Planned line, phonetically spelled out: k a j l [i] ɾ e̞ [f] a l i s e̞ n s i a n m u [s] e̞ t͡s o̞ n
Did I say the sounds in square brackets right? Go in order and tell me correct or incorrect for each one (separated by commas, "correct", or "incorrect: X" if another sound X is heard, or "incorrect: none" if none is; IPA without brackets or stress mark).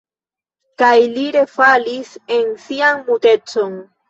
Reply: correct, correct, incorrect: t